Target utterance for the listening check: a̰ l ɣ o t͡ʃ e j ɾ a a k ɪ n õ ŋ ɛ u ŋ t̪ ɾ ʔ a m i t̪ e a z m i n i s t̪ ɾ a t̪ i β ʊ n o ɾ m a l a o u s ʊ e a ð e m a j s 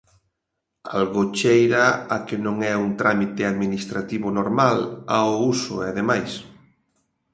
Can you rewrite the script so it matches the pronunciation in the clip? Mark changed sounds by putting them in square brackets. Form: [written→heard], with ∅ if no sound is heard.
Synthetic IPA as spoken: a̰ l ɣ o t͡ʃ e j ɾ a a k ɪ n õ ŋ ɛ u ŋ t̪ ɾ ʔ a m i t̪ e a [z→ð] m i n i s t̪ ɾ a t̪ i β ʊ n o ɾ m a l a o u s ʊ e a ð e m a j s